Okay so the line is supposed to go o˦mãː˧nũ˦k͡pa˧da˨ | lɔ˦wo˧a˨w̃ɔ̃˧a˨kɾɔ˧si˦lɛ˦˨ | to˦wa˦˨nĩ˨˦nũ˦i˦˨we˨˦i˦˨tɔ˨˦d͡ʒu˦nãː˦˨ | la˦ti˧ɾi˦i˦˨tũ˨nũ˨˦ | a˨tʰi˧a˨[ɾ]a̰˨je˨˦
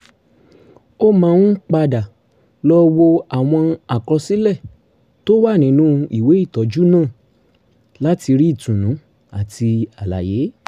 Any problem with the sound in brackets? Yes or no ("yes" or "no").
yes